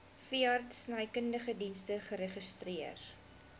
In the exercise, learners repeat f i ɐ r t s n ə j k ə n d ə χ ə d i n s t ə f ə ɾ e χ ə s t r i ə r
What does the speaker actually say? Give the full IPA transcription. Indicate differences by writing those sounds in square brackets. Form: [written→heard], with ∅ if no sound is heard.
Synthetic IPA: f i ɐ r t s n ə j k ə n d ə χ ə d i n s t ə [f→χ] ə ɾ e χ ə s t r i ə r